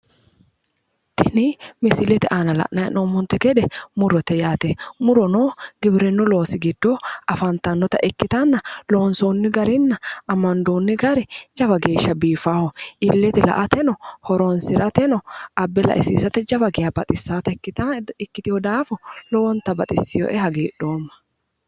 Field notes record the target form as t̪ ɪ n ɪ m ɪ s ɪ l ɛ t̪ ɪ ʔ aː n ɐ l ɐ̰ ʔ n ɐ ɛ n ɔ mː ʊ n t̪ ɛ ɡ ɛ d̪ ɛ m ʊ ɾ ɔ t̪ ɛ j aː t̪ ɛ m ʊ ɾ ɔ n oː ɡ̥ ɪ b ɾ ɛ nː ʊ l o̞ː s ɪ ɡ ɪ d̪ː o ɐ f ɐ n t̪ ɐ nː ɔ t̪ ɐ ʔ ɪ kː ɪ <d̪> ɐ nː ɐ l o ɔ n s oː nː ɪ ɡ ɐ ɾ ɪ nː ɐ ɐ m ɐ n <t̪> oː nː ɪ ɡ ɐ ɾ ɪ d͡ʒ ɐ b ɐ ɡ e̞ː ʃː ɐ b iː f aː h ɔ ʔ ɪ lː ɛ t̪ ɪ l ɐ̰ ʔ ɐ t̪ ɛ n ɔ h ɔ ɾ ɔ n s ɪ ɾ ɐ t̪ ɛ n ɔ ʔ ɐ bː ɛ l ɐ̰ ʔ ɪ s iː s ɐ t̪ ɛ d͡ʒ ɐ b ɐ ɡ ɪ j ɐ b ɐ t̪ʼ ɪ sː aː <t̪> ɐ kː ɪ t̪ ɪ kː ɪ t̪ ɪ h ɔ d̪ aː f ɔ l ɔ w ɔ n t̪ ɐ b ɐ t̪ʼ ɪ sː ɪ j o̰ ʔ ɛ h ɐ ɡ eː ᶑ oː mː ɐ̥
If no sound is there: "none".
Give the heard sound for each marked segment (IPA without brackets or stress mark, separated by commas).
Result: t̪, d̪, t̪